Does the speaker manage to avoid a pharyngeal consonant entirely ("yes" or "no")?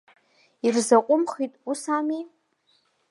yes